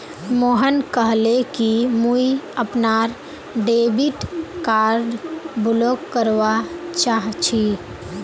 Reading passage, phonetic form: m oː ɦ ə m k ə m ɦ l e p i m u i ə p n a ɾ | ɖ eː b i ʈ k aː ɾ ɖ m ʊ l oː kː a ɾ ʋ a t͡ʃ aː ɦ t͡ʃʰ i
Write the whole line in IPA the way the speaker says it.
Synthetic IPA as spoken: m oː ɦ ə n k ə ɦ l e k i m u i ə p n a ɾ | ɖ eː b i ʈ k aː ɾ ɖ b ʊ l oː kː ə ɾ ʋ a t͡ʃ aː ɦ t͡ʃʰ i